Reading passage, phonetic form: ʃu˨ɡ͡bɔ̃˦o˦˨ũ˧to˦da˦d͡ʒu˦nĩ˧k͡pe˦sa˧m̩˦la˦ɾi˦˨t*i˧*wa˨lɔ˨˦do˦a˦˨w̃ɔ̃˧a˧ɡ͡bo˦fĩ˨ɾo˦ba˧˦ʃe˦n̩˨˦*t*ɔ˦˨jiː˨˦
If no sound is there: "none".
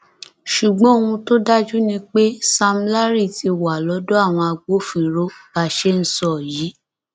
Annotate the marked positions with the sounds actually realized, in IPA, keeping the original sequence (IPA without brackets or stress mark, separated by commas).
i˧, s